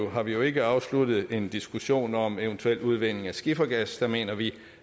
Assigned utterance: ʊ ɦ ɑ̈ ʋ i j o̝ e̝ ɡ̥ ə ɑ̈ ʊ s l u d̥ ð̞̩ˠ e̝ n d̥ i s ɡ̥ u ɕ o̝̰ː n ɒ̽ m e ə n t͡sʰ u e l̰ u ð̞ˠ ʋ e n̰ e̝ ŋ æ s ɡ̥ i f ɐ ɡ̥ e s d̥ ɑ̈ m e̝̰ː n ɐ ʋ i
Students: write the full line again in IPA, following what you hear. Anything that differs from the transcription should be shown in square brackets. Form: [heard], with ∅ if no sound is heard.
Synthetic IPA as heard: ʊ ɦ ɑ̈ ʋ i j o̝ e̝ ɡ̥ ə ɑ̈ ʊ s l u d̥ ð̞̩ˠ e̝ n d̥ i s ɡ̥ u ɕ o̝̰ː n ɒ̽ m e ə n t͡sʰ u e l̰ u ð̞ˠ ʋ e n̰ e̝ ŋ æ s ɡ̥ i f ɐ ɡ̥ [æ] s d̥ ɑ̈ m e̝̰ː n ɐ ʋ i